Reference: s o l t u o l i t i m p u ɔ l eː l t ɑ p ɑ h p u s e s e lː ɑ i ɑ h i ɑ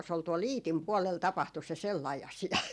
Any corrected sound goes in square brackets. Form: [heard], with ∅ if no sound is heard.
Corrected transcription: s o l t u o l [iː] t i m p u ɔ l [e] l t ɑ p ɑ h [t] u s e s e lː ɑ i ɑ [s] i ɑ